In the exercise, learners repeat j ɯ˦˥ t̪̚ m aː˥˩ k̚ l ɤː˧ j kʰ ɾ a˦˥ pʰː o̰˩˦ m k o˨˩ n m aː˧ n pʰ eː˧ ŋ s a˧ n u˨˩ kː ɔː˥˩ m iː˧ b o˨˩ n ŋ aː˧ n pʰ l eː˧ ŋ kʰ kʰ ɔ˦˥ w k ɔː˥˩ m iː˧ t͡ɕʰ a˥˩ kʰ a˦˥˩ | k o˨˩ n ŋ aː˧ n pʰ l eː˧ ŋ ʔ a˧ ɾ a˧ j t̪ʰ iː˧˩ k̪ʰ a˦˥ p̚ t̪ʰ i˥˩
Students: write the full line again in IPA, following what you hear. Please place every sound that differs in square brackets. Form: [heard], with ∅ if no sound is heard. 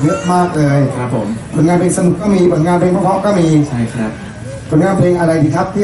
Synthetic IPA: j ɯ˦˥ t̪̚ m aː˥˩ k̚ l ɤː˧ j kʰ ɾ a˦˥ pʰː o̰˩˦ m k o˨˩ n [ŋ] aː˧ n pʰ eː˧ ŋ s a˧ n u˨˩ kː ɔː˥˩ m iː˧ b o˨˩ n ŋ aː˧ n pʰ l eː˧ ŋ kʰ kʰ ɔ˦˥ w k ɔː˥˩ m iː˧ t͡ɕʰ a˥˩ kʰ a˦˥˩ | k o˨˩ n ŋ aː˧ n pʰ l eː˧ ŋ ʔ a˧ ɾ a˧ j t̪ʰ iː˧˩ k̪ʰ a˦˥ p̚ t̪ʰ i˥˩